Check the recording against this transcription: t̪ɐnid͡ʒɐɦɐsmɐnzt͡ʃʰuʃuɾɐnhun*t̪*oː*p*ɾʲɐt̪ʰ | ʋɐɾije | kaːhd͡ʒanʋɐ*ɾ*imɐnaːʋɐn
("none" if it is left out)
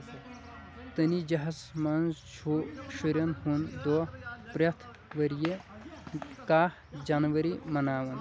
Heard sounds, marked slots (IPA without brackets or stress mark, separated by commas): d̪, p, ɾ